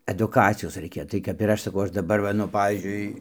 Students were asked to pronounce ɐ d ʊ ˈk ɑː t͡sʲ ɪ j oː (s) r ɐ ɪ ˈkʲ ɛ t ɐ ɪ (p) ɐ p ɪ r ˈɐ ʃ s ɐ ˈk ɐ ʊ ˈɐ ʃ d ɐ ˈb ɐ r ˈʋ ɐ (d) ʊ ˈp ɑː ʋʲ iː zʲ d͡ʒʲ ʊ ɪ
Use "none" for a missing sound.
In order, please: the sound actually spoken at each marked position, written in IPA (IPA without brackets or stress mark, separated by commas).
s, k, n